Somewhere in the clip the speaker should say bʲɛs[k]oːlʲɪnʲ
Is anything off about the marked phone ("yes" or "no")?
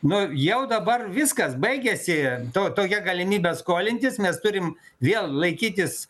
no